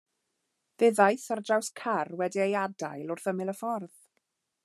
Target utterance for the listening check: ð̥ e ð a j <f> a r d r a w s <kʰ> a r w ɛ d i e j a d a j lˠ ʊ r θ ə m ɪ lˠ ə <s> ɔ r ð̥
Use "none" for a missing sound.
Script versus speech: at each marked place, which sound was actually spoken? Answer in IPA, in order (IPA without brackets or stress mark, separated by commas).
θ, kʰ, f